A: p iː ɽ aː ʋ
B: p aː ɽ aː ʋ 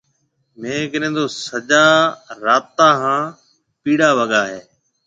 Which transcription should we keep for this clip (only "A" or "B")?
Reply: A